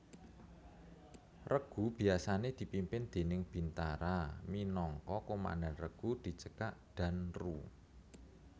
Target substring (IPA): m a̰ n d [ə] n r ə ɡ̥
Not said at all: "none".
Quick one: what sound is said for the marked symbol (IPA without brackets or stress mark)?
a